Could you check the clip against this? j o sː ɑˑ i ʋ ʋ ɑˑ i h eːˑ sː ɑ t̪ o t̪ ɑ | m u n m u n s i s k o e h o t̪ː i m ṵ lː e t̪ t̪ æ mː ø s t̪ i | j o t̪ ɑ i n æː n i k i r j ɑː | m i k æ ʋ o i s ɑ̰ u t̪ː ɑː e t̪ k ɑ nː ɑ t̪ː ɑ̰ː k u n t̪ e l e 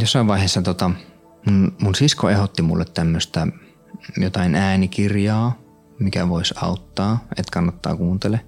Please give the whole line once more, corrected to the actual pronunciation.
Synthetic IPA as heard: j o sː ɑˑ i ʋ ʋ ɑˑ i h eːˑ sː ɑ t̪ o t̪ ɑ | m u n m u n s i s k o e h o t̪ː i m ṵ lː e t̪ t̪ æ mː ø s t̪ æ | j o t̪ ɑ i n æː n i k i r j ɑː | m i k æ ʋ o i s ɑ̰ u t̪ː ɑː e t̪ k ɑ nː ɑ t̪ː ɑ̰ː k uː n t̪ e l e